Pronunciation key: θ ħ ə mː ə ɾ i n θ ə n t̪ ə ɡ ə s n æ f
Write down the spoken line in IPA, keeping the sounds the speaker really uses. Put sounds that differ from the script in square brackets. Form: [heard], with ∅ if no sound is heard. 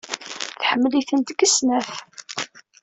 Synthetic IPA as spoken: θ ħ ə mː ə [l] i [∅] θ ə n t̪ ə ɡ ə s n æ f